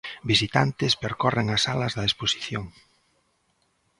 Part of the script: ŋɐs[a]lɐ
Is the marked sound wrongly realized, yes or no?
no